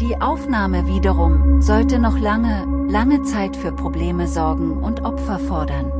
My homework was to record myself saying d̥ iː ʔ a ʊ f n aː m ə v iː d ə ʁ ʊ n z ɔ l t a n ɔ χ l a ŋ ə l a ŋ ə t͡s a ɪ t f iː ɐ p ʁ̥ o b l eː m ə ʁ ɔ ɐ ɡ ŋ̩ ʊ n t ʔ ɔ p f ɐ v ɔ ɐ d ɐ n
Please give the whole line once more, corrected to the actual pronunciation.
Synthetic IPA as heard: d̥ iː ʔ a ʊ f n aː m ə v iː d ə ʁ ʊ ŋ z ɔ l t ə n ɔ χ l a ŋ ə l a ŋ ə t͡s a ɪ t f yː ɐ p ʁ̥ o b l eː m ə z ɔ ɐ ɡ ŋ̩ ʊ n t ʔ ɔ p f ɐ f ɔ ɐ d ɐ n